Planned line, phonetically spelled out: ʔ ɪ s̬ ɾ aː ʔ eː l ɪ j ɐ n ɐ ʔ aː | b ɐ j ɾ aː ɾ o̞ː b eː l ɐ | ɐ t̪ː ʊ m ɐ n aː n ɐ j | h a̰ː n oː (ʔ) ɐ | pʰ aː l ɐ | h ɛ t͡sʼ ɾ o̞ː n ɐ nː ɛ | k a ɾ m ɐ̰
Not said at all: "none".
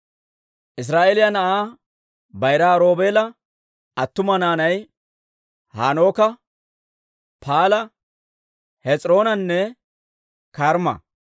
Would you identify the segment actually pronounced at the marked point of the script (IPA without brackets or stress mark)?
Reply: k